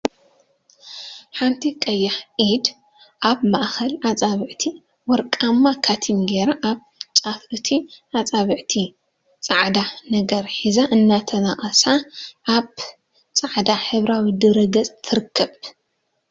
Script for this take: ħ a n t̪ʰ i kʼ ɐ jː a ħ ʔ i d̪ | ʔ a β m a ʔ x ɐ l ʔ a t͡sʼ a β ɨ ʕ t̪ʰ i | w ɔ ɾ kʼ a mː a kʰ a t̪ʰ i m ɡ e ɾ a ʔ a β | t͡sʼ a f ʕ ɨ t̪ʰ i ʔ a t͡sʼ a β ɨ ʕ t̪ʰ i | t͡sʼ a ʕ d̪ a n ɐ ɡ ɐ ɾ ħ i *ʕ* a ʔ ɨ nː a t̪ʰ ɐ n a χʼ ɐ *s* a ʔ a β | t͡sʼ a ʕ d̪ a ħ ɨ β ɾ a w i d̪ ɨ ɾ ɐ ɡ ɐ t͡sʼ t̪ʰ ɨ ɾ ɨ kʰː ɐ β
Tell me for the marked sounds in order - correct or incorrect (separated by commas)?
incorrect, correct